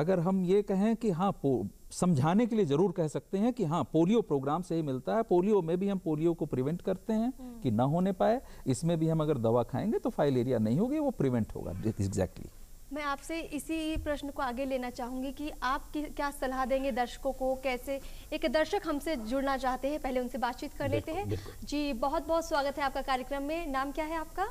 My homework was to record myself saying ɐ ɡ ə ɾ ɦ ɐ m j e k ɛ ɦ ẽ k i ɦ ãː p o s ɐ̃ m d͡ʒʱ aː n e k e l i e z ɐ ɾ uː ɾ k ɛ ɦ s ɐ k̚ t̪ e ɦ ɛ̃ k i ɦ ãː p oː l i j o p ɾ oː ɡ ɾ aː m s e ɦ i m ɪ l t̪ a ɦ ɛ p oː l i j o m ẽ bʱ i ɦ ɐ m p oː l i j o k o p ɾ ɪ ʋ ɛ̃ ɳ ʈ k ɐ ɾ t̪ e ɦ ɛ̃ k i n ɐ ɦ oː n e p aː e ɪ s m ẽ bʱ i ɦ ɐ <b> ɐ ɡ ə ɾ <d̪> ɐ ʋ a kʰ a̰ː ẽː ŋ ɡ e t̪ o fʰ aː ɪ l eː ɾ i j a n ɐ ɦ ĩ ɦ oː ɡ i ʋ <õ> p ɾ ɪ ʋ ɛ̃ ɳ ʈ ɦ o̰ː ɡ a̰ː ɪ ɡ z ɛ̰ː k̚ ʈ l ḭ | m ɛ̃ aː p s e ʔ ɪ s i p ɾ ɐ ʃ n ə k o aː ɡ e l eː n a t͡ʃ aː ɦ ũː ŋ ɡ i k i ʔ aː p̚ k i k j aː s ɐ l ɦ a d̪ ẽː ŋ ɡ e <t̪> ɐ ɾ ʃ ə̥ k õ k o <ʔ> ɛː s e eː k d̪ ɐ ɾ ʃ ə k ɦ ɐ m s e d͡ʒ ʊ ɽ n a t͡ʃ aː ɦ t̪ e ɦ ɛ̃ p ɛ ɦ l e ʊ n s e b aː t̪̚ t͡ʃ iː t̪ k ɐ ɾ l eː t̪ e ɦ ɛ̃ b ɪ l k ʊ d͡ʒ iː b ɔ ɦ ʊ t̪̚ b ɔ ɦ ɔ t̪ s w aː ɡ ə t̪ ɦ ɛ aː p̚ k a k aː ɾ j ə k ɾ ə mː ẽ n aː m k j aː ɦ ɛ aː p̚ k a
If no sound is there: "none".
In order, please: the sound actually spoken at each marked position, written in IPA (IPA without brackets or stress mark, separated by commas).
m, d̪, o, d̪, k